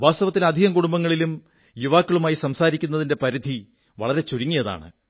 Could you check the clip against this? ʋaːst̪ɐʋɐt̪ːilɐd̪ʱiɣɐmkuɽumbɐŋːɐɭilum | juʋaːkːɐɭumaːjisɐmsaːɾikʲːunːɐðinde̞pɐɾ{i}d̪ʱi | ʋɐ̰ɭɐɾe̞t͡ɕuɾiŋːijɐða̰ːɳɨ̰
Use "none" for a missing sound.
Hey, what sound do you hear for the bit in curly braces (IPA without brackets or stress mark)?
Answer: i